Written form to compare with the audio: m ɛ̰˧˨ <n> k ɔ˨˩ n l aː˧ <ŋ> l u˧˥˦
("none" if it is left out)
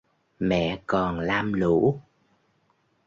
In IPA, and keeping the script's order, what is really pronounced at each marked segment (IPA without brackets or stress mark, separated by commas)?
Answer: none, m